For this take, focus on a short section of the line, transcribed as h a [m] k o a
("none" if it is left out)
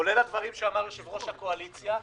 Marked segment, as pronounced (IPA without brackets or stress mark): none